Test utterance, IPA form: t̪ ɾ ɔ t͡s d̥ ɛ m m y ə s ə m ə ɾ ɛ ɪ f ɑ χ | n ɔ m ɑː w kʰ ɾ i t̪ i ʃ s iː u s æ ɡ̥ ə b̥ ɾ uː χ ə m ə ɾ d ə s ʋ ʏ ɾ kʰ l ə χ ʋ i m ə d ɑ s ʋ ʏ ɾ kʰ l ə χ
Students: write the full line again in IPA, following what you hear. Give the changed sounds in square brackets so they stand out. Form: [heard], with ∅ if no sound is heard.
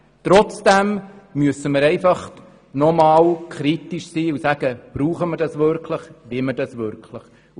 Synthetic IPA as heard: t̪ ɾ ɔ t͡s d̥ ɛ m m y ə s ə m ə ɾ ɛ ɪ f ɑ χ | n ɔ m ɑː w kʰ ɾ i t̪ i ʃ s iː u s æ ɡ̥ ə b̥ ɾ uː χ ə m ə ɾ d [ɑ] s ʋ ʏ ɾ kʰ l ə χ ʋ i m ə d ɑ s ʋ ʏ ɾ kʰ l ə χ